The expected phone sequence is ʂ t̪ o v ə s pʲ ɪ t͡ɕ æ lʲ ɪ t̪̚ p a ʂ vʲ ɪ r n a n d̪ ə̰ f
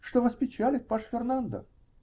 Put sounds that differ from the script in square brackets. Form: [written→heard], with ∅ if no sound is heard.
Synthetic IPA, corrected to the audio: ʂ t̪ o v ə s pʲ ɪ t͡ɕ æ lʲ ɪ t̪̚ p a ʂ [vʲ→fʲ] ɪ r n a n d̪ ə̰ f

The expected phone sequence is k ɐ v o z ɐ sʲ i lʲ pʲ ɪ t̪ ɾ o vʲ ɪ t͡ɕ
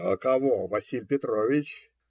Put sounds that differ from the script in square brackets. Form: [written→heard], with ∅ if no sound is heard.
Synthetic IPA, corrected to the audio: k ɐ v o [z→v] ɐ sʲ i lʲ pʲ ɪ t̪ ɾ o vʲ ɪ t͡ɕ

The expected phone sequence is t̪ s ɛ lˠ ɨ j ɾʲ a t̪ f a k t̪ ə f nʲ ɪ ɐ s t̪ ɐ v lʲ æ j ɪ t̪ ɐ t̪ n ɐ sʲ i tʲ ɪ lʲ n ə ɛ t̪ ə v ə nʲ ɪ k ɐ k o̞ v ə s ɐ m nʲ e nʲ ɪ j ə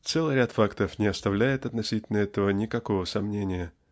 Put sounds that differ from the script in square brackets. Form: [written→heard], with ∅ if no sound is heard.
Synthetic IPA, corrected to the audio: t̪ s ɛ lˠ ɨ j ɾʲ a t̪ f a k t̪ ə f nʲ ɪ ɐ s t̪ ɐ v lʲ æ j ɪ t̪ ɐ t̪ n ɐ sʲ i tʲ ɪ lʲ n ə ɛ t̪ ə v ə nʲ ɪ k ɐ k o̞ v ə s ɐ m nʲ e nʲ ɪ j ə

